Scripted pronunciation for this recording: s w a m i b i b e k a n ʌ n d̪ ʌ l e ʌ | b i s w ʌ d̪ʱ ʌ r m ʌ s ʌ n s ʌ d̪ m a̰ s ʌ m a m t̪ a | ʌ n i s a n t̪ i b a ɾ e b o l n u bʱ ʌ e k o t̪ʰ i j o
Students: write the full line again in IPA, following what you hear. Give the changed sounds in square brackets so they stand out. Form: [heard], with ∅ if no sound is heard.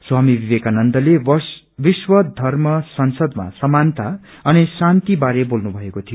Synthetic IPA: s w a m i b i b e k a n ʌ n d̪ ʌ l e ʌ | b i s w ʌ d̪ʱ ʌ r m ʌ s ʌ n s ʌ d̪ m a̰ s ʌ m a [n] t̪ a | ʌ n i s a n t̪ i b a ɾ e b o l n u bʱ ʌ e k o t̪ʰ i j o